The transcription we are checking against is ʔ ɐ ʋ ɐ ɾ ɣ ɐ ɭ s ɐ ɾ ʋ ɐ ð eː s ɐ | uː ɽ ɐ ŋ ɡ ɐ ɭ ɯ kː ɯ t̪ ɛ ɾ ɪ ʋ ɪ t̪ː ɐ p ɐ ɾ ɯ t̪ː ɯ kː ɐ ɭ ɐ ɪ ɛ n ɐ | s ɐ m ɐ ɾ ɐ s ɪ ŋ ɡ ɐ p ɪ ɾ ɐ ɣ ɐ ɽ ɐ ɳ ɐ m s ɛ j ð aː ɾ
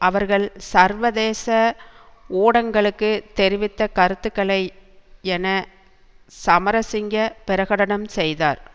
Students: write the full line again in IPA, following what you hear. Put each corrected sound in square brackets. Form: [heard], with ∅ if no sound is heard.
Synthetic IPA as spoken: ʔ ɐ ʋ ɐ ɾ ɣ ɐ ɭ s ɐ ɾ ʋ ɐ ð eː s ɐ | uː ɽ ɐ ŋ ɡ ɐ ɭ ɯ kː ɯ t̪ ɛ ɾ ɪ ʋ ɪ t̪ː ɐ [k] ɐ ɾ ɯ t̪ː ɯ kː ɐ ɭ ɐ ɪ ɛ n ɐ | s ɐ m ɐ ɾ ɐ s ɪ ŋ ɡ ɐ p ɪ ɾ ɐ ɣ ɐ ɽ ɐ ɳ ɐ m s ɛ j ð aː ɾ